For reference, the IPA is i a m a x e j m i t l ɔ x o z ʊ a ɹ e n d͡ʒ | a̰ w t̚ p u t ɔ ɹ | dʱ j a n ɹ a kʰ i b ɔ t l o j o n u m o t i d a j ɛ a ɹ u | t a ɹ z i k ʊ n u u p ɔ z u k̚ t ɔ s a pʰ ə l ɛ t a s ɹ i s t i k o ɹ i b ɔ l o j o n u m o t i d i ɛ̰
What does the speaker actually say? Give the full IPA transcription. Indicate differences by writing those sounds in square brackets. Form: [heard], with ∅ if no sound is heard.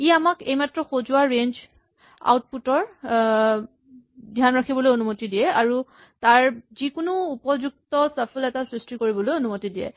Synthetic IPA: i a m a [k] e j m [a] t [ɹ] ɔ x o z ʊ a ɹ e n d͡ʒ | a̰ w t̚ p u t ɔ ɹ | dʱ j a n ɹ a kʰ i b ɔ [∅] l o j o n u m o t i d [i] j ɛ a ɹ u | t a ɹ z i k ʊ n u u p ɔ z u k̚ t ɔ s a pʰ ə l ɛ t a s ɹ i s t i k o ɹ i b ɔ l o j o n u m o t i d i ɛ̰

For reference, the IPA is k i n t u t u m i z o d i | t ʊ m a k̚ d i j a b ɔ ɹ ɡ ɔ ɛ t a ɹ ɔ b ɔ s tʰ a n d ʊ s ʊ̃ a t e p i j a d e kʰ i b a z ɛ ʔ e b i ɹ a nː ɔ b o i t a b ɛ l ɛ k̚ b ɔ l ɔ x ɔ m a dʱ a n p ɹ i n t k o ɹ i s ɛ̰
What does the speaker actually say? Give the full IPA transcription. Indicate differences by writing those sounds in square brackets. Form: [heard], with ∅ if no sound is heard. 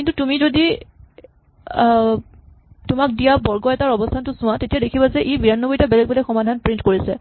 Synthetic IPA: k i n t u t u m i z o d i | t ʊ m a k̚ d i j a b ɔ ɹ ɡ ɔ ɛ t a ɹ ɔ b ɔ s tʰ a n [t] ʊ s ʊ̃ a t e [t] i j a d e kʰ i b a z ɛ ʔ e b i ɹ a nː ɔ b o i t a b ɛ l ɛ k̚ b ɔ l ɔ x ɔ m a dʱ a n p ɹ i n t k o ɹ i s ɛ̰

